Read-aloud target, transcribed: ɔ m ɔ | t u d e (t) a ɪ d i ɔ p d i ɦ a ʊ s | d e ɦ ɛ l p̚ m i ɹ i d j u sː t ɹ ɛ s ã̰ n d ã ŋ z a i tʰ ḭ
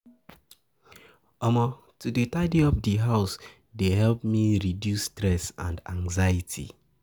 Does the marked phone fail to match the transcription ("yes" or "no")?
no